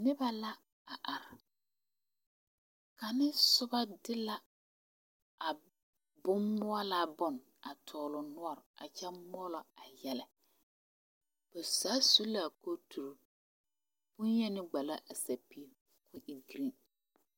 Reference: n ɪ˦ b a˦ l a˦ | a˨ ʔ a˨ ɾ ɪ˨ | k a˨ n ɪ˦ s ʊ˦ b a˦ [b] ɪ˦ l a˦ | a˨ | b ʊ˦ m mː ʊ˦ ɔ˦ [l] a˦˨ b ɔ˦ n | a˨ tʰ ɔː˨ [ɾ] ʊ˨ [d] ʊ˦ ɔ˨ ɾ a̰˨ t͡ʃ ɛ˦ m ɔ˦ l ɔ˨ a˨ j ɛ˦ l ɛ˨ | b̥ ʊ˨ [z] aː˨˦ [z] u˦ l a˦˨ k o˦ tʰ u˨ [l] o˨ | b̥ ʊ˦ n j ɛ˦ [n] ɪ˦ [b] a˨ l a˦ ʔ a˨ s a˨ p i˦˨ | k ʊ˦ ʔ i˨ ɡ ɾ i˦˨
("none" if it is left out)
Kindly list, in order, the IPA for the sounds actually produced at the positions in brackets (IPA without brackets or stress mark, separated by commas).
d, l, l, n, s, s, ɾ, n, ɡ͡b